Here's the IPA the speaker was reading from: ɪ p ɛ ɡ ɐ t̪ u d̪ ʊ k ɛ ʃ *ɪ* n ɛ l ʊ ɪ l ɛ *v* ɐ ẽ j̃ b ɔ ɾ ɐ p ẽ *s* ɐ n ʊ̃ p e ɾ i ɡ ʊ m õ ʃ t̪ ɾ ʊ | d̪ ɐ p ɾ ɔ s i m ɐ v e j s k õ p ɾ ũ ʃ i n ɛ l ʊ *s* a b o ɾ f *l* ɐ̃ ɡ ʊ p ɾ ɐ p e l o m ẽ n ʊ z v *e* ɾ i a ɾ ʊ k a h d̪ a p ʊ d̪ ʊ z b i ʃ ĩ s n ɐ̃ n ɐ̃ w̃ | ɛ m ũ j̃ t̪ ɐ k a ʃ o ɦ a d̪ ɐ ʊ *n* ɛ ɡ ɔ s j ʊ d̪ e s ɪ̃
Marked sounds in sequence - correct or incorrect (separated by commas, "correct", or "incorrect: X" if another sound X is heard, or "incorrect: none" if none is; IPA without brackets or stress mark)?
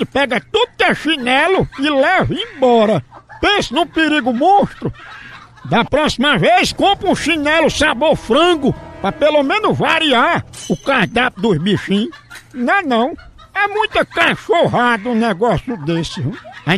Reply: incorrect: i, correct, correct, correct, incorrect: ɾ, incorrect: a, correct